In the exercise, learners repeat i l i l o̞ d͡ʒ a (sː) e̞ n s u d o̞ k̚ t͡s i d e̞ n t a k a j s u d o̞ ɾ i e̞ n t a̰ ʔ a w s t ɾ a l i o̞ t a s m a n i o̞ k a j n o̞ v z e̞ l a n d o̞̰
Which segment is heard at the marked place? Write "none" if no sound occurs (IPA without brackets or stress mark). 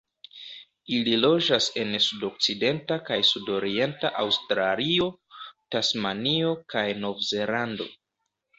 s